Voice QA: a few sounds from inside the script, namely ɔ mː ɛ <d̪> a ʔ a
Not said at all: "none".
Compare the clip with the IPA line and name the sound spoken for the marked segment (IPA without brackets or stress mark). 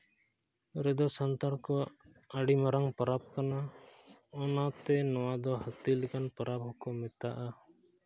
t̪